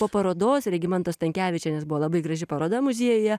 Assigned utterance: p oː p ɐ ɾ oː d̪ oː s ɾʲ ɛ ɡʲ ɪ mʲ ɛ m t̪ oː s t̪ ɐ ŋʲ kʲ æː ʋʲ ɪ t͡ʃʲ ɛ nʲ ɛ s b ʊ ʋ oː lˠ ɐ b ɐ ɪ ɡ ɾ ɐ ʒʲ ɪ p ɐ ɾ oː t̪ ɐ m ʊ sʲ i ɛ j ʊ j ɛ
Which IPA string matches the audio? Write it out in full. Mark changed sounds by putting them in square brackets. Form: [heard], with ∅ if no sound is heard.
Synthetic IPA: p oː p ɐ ɾ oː d̪ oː s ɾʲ ɛ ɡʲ ɪ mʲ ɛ [n] t̪ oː s t̪ ɐ ŋʲ kʲ æː ʋʲ ɪ t͡ʃʲ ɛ nʲ ɛ s b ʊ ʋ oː lˠ ɐ b ɐ ɪ ɡ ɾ ɐ ʒʲ ɪ p ɐ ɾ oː [d̪] ɐ m ʊ [zʲ] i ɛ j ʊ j ɛ